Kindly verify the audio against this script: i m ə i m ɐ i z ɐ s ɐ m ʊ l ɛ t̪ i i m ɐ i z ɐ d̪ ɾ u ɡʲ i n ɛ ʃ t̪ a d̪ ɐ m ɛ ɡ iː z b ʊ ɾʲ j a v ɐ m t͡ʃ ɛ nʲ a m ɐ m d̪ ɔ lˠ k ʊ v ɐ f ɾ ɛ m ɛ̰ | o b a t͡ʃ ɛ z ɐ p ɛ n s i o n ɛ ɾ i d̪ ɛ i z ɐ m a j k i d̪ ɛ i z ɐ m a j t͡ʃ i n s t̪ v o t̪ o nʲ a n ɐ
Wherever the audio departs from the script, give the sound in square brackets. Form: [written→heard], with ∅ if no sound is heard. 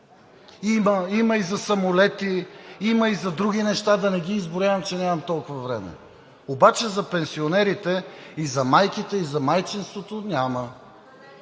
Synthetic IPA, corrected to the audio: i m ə i m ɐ i z ɐ s ɐ m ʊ l ɛ t̪ i i m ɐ i z ɐ d̪ ɾ u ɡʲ i n ɛ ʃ t̪ a d̪ ɐ [m→n] ɛ ɡ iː z b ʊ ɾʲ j a v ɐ m t͡ʃ ɛ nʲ a m ɐ m [d̪→t̪] ɔ lˠ k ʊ v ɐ [f→v] ɾ ɛ m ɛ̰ | o b a t͡ʃ ɛ z ɐ p ɛ n s i o n ɛ ɾ i [d̪→t̪] ɛ i z ɐ m a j k i [d̪→t̪] ɛ i z ɐ m a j t͡ʃ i n s t̪ v o t̪ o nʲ a [n→m] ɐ